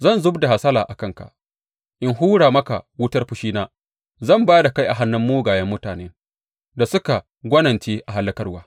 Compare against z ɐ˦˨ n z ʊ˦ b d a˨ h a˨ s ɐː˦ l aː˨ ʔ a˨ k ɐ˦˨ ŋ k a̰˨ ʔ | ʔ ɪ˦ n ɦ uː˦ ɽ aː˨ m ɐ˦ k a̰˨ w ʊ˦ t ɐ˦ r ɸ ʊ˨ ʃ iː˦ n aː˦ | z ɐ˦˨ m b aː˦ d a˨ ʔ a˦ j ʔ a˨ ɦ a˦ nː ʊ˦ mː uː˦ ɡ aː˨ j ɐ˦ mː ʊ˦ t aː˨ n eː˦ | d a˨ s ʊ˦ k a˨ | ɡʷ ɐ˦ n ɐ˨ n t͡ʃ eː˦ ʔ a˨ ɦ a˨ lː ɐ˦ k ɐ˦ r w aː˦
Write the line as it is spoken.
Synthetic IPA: z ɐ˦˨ n z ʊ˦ b d a˨ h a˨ s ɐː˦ l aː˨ ʔ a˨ k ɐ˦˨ ŋ k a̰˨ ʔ | ʔ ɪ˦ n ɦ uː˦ ɽ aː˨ m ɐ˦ k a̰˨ w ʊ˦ t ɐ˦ r ɸ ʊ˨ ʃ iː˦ n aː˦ | z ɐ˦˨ m b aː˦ d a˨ k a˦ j ʔ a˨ ɦ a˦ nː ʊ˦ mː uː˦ ɡ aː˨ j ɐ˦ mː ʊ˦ t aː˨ n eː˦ | d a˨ s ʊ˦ k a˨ | ɡʷ ɐ˦ n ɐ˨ n t͡ʃ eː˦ ʔ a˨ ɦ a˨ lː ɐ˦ k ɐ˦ r w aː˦

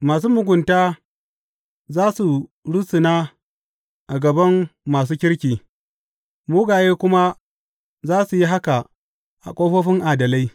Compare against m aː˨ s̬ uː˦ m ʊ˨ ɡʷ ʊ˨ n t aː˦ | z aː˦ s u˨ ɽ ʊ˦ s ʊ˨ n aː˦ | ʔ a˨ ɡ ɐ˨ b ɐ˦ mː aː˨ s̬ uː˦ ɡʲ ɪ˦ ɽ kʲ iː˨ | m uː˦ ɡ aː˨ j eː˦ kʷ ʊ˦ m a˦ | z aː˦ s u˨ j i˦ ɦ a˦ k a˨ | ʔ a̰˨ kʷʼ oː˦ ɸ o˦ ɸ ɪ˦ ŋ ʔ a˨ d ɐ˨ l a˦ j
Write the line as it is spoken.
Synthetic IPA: m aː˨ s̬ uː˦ m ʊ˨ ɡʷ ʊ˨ n t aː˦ | z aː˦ s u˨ ɽ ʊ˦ s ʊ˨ n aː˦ | ʔ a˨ ɡ ɐ˨ b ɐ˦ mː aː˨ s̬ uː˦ kʲ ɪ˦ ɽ kʲ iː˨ | m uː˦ ɡ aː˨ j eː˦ kʷ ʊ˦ m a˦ | z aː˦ s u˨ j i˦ ɦ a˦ k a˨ | ʔ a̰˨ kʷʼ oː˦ ɸ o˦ ɸ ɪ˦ ŋ ʔ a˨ d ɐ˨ l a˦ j

